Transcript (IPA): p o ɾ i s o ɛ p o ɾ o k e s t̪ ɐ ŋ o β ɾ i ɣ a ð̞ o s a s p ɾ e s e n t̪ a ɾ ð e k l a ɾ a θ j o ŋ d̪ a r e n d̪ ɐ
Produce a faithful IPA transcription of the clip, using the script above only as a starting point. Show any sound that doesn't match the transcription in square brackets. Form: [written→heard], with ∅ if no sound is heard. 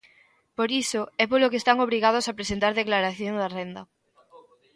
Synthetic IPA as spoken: p o ɾ i s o ɛ p o [ɾ→l] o k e s t̪ [ɐ→a] ŋ o β ɾ i ɣ a ð̞ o s a [s→∅] p ɾ e s e n t̪ a ɾ ð e k l a ɾ a θ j o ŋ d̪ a r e n d̪ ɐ